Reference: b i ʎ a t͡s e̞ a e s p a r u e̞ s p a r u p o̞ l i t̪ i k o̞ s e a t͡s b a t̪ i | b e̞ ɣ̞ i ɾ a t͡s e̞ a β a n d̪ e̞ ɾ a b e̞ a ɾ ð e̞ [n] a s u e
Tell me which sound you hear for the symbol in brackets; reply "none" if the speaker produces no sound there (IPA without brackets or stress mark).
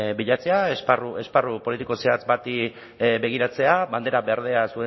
none